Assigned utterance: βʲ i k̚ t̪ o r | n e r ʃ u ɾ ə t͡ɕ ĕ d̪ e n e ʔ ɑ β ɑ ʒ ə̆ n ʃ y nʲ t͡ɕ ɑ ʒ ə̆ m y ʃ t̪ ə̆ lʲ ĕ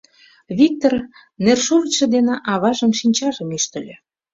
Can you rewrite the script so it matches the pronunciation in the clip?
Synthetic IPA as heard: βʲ i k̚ t̪ o r | n e r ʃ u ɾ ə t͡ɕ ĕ d̪ e n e ʔ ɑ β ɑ ʒ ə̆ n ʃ i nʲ t͡ɕ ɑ ʒ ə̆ m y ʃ t̪ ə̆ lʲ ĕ

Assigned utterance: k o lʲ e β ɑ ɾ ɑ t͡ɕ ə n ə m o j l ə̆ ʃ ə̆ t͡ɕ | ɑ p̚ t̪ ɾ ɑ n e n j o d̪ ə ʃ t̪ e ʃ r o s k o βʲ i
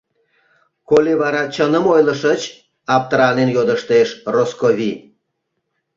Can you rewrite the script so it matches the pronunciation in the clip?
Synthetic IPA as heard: k o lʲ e β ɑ ɾ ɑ t͡ɕ ə n ə m o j l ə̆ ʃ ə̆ t͡ɕ | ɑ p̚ t̪ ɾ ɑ n e n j o d̪ ə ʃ t̪ e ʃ r o s k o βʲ i

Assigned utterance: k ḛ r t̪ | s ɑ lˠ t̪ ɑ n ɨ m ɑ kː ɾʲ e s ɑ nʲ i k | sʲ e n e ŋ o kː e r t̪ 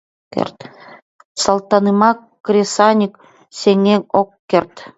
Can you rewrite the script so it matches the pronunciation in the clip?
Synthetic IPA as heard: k ḛ r t̪ | s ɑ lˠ t̪ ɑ n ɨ m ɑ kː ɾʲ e s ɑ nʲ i k | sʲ e ŋ e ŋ o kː e r t̪

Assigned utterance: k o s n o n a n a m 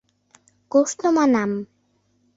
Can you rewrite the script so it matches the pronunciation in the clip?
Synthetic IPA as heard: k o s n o m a n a m

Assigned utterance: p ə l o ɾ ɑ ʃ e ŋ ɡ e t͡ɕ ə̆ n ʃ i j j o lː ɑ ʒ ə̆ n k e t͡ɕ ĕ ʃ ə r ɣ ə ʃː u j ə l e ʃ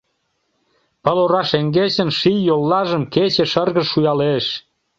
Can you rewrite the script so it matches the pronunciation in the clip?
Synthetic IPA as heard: p ə l o ɾ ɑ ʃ e ŋ ɡ e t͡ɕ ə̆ n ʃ i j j o lː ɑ ʒ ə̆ m k e t͡ɕ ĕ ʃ ə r ɣ ə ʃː u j ɑ l e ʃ

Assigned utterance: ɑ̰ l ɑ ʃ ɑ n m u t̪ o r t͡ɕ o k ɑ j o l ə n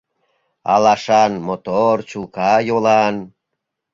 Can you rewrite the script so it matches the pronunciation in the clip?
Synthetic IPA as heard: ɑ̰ l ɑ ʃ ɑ n m o t̪ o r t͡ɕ u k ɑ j o l ɑ n

